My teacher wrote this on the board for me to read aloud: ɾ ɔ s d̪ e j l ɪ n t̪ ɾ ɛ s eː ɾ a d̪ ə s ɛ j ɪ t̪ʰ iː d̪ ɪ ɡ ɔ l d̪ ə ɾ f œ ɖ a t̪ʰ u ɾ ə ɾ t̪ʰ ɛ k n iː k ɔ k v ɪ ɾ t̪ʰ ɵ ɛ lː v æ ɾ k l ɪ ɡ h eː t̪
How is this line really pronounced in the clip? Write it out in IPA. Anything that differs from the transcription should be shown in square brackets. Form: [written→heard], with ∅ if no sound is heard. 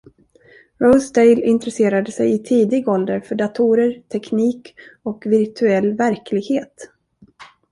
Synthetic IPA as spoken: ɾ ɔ s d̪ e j l ɪ n t̪ ɾ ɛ s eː ɾ a d̪ ə s ɛ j ɪ t̪ʰ iː d̪ ɪ ɡ ɔ l d̪ ə ɾ f œ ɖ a t̪ʰ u ɾ ə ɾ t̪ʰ ɛ k n iː k ɔ k v ɪ ɾ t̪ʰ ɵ ɛ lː v æ ɾ k l ɪ ɡ h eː t̪

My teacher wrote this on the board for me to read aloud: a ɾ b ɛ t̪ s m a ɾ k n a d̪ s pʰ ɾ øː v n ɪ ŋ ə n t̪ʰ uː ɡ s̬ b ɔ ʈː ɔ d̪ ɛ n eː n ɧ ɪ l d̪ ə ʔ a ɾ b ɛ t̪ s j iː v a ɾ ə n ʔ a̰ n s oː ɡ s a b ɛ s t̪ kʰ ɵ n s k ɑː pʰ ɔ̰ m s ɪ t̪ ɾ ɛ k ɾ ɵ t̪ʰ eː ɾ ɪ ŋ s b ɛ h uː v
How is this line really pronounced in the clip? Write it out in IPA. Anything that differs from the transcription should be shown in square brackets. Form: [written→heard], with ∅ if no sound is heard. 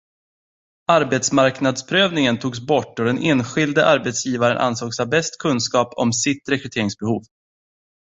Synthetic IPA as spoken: a ɾ b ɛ t̪ s m a ɾ k n a d̪ s pʰ ɾ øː v n ɪ ŋ ə n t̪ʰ uː ɡ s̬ b ɔ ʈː ɔ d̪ ɛ n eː n ɧ ɪ l d̪ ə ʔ a ɾ b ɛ t̪ s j iː v a ɾ ə n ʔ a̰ n s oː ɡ s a b ɛ s t̪ kʰ ɵ n s k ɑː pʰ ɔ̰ m s ɪ t̪ ɾ ɛ k ɾ ɵ t̪ʰ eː ɾ ɪ ŋ s b ɛ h uː v

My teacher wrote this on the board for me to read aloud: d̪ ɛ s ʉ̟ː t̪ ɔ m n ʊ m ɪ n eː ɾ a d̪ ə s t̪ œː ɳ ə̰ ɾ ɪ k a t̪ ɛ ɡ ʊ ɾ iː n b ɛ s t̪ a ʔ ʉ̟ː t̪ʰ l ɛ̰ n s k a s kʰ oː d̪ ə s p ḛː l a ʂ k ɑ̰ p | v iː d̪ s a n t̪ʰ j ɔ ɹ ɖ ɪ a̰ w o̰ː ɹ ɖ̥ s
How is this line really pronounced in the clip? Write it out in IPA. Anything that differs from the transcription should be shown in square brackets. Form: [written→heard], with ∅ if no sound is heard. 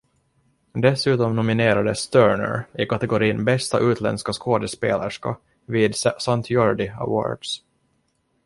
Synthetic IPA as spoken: d̪ ɛ s ʉ̟ː t̪ ɔ m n ʊ m ɪ n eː ɾ a d̪ ə s t̪ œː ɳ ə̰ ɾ ɪ k a t̪ ɛ ɡ ʊ ɾ iː n b ɛ s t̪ a ʔ ʉ̟ː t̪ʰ l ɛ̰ n s k a s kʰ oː d̪ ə s p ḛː l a ʂ k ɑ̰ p | v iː d̪ s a n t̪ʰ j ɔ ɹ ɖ ɪ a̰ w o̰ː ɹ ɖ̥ s

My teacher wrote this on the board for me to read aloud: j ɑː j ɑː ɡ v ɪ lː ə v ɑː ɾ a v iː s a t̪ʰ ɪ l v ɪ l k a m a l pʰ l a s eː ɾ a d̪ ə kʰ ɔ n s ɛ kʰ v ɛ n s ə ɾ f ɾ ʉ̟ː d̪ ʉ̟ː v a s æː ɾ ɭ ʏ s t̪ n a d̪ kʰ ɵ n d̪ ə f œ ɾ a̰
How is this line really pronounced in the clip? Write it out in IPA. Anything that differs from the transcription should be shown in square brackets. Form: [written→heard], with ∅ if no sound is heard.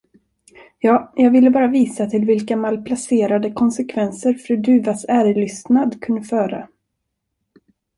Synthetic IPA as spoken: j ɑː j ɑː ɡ v ɪ lː ə [v→b] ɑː ɾ a v iː s a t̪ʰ ɪ l v ɪ l k a m a l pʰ l a s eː ɾ a d̪ ə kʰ ɔ n s ɛ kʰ v ɛ n s ə ɾ f ɾ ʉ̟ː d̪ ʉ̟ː v a s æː ɾ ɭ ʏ s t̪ n a d̪ kʰ ɵ n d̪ ə f [œ→œː] ɾ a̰

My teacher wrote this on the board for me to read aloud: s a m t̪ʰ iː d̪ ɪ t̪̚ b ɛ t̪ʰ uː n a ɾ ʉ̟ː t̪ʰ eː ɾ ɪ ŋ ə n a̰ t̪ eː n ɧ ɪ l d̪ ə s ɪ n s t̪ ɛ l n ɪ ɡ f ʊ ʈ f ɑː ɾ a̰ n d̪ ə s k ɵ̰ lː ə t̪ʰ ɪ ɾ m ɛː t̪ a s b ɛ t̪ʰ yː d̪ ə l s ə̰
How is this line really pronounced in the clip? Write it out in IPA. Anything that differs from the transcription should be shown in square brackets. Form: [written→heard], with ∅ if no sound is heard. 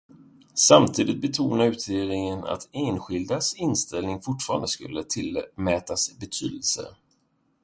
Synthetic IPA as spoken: s a m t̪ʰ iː d̪ ɪ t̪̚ b ɛ t̪ʰ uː n a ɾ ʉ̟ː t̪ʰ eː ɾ ɪ ŋ ə n a̰ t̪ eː n ɧ ɪ l d̪ [ə→a] s ɪ n s t̪ ɛ l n ɪ [ɡ→ŋ] f ʊ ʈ f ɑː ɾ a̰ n d̪ ə s k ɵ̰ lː ə t̪ʰ ɪ [ɾ→l] m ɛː t̪ a s b ɛ t̪ʰ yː d̪ ə l s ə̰

